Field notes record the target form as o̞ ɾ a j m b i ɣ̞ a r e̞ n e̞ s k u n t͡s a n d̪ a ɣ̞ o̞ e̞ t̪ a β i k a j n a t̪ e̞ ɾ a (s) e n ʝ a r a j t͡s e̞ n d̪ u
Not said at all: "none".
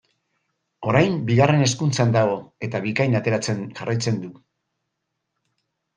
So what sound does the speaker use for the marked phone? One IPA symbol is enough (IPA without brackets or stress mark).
t͡s